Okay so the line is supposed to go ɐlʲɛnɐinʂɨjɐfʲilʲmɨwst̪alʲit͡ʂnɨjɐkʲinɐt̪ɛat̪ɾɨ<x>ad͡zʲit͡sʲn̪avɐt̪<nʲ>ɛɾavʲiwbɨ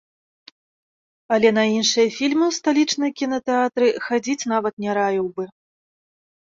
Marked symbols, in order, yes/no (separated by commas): yes, yes